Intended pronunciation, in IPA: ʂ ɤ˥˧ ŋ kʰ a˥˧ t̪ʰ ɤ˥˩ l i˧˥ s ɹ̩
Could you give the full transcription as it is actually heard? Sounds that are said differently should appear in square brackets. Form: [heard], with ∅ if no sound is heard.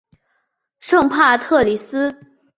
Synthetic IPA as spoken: ʂ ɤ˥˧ ŋ [pʰ] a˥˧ t̪ʰ ɤ˥˩ l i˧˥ s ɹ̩